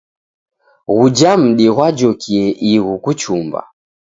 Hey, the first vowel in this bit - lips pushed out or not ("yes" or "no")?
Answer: yes